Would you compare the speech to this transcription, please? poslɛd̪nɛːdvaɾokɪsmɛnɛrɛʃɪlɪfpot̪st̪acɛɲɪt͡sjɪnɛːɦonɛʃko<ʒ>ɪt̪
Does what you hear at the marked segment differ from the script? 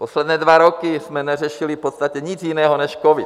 yes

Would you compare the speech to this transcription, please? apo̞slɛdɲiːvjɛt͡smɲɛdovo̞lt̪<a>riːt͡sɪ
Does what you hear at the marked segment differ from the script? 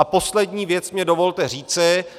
yes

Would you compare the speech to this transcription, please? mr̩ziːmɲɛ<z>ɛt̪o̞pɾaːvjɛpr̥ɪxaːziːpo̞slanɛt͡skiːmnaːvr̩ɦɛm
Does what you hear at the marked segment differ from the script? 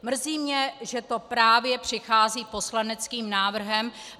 yes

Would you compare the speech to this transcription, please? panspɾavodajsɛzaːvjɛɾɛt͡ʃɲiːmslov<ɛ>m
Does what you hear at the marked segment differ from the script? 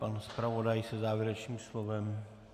no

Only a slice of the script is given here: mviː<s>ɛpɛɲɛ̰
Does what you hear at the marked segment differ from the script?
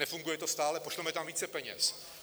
yes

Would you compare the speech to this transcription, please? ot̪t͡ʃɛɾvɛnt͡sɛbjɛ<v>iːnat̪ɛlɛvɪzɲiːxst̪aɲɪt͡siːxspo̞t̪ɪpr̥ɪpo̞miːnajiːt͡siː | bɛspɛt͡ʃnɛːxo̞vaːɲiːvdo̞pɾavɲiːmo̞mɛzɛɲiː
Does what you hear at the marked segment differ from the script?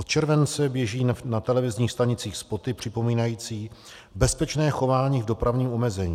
yes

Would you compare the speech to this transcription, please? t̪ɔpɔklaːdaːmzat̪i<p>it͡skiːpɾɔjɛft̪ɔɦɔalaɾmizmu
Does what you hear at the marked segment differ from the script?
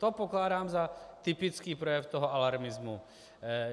no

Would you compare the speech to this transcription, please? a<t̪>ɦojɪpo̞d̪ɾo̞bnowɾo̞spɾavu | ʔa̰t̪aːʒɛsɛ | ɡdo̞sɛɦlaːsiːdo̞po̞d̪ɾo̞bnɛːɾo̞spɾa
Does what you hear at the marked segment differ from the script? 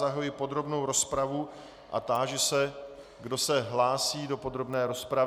yes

